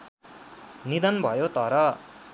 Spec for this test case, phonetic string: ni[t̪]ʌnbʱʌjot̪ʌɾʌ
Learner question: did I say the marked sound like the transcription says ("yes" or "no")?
no